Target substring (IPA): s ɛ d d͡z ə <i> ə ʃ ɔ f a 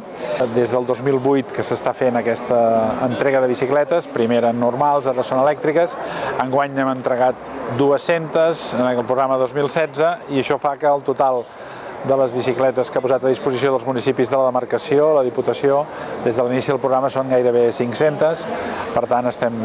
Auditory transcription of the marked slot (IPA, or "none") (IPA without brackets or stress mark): i